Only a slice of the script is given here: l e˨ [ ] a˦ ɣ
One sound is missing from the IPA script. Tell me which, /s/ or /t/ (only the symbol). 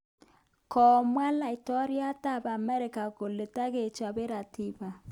t